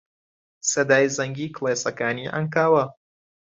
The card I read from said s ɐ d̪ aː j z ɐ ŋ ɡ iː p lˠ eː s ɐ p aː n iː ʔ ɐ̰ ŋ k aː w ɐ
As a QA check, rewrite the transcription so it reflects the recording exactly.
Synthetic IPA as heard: s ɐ d̪ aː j z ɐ ŋ ɡ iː k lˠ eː s ɐ k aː n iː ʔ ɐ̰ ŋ k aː w ɐ

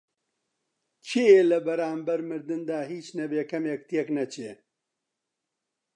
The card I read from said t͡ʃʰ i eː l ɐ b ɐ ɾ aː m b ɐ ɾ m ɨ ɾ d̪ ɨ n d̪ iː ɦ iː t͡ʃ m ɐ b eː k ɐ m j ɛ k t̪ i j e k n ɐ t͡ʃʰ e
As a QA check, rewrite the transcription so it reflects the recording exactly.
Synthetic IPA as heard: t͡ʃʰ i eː l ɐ b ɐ ɾ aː m b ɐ ɾ m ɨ ɾ d̪ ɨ n d̪ aː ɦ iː t͡ʃ n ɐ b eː k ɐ m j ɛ k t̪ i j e k n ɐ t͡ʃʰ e

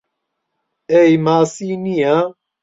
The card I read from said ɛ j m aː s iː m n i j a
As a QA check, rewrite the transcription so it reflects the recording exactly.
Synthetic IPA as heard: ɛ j m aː s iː n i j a

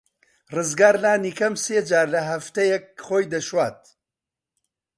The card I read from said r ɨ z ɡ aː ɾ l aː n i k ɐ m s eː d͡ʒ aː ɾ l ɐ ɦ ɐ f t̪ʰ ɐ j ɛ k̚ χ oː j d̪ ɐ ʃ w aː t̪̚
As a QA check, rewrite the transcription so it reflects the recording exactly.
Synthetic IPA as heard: r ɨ z ɡ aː ɾ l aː n i k ɐ m s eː d͡ʒ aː ɾ l ɐ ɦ ɐ f t̪ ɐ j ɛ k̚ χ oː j d̪ ɐ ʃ w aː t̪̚

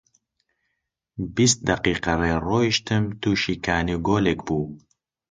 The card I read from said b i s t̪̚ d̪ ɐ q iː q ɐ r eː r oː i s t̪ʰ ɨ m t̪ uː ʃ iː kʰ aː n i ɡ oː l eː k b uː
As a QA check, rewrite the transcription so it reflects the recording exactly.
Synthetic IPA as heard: b i s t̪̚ d̪ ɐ q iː q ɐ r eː r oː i ʃ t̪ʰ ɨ m t̪ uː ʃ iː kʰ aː n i ɡ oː l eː k b uː

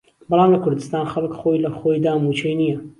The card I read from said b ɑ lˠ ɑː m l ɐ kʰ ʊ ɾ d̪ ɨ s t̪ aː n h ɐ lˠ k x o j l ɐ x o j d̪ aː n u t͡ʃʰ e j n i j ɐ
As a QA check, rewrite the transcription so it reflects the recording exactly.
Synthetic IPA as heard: b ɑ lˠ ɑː m l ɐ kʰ ʊ ɾ d̪ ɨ s t̪ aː n x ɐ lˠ k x o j l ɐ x o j d̪ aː m u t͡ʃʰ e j n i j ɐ

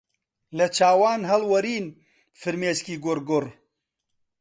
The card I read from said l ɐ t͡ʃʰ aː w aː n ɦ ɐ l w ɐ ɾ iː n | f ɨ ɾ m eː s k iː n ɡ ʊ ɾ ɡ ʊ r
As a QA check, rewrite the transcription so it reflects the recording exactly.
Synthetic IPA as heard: l ɐ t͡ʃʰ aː w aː n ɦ ɐ l w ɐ ɾ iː n | f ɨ ɾ m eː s k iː ɡ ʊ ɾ ɡ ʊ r

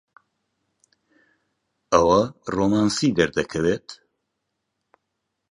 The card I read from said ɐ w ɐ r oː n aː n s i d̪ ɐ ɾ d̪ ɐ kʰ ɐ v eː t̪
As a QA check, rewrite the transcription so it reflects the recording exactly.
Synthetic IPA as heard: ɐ w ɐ r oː m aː n s i d̪ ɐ ɾ d̪ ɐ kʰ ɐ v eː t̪

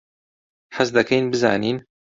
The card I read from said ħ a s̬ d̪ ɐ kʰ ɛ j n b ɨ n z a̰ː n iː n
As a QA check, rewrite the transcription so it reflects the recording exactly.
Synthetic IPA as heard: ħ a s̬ d̪ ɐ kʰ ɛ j n b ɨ z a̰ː n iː n

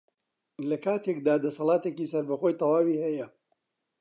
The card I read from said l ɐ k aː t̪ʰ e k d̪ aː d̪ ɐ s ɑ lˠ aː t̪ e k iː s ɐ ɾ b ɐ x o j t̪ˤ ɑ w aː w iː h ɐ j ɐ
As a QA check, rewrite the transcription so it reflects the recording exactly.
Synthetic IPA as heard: l ɐ k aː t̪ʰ e k d̪ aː d̪ ɐ s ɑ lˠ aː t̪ e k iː s ɐ ɾ b ɐ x o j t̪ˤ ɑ w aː w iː h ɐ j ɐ

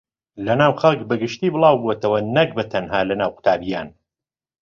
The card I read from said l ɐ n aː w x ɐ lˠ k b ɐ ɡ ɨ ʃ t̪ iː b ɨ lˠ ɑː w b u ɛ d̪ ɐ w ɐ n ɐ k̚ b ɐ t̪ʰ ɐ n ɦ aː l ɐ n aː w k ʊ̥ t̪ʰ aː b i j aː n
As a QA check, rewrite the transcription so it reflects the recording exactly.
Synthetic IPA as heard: l ɐ n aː w x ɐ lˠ k b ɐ ɡ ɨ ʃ t̪ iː b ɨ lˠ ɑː w b u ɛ t̪ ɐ w ɐ n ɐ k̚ b ɐ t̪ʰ ɐ n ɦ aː l ɐ n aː w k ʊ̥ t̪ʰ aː b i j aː n

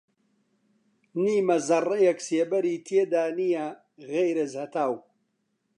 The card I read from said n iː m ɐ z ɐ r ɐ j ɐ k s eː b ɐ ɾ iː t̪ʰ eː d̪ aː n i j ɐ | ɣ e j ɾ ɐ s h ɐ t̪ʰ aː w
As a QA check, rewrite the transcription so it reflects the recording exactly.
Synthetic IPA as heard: n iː m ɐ z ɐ r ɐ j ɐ k s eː b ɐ ɾ iː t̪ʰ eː d̪ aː n i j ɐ | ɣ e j ɾ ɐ z h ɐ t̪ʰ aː w

